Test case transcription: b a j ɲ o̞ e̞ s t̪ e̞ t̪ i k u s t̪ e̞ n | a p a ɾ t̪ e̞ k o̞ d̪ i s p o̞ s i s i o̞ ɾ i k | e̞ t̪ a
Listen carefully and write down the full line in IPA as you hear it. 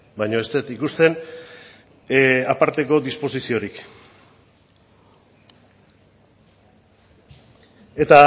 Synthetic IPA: b a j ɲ o̞ e̞ s t̪ e̞ t̪ i k u s t̪ e̞ n | a p a ɾ t̪ e̞ k o̞ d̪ i s p o̞ s i s i o̞ ɾ i k | e̞ t̪ a